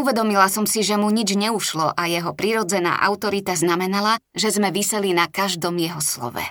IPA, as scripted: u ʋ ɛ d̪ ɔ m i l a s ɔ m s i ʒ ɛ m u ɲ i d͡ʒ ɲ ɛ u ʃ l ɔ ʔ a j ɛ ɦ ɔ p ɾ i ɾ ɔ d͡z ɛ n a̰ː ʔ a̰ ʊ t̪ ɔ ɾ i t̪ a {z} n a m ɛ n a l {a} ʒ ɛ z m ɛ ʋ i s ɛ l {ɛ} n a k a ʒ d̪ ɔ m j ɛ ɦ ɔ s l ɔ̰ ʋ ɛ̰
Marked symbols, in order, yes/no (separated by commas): yes, yes, no